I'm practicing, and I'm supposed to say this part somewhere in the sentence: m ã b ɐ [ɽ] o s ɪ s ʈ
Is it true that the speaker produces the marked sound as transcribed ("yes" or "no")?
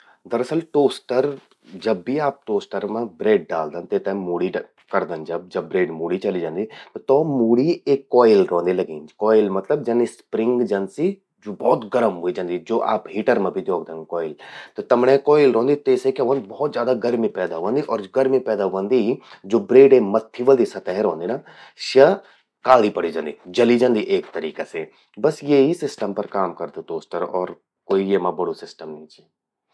yes